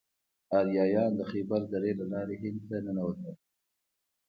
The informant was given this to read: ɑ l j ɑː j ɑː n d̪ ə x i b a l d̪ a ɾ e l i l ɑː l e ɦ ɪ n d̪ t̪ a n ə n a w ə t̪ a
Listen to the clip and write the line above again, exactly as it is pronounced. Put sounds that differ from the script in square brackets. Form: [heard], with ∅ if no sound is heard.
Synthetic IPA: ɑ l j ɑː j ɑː n d̪ ə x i b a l d̪ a ɾ e l [a] l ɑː [ɾ] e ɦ ɪ n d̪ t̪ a n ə n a w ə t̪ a